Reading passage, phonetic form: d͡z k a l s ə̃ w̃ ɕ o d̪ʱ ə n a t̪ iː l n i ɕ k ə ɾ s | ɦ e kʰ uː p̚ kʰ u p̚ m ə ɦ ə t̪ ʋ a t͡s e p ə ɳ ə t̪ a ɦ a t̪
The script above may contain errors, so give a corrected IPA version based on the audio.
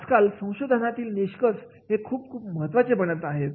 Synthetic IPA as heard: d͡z k a l s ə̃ w̃ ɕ o d̪ʱ ə n a t̪ iː l n i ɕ k ə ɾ s | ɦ e kʰ uː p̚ kʰ uː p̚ m ə ɦ ə t̪ ʋ a t͡s e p ə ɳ ə t̪ a ɦ e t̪